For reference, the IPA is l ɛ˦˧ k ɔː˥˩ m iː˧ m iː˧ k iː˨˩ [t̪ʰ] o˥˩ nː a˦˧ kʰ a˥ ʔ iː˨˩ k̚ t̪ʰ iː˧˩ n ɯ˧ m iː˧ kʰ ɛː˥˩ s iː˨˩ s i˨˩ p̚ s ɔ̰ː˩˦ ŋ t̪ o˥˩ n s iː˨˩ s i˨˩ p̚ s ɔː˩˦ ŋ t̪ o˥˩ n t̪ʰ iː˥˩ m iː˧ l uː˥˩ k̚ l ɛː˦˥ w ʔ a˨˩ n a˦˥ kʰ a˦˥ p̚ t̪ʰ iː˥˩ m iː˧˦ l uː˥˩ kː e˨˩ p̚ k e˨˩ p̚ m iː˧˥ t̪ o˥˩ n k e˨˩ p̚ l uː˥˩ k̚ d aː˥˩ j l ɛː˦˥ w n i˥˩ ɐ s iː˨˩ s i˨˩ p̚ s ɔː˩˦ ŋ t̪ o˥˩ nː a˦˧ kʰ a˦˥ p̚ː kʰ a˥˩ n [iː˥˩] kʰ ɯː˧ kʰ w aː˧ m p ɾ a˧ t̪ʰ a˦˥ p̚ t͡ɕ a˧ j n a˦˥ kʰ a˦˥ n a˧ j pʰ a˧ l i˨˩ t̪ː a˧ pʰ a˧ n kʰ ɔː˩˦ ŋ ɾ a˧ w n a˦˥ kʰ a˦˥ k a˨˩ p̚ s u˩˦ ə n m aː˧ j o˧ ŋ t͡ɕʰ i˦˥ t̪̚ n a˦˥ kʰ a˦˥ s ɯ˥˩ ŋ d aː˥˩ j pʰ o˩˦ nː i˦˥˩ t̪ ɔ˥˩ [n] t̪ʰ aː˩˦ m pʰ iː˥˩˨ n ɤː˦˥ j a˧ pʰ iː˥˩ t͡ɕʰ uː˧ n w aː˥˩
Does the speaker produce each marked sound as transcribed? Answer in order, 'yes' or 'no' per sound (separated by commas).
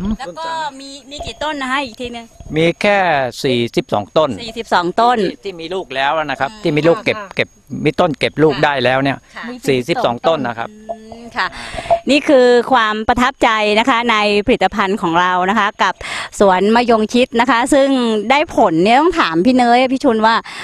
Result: no, yes, no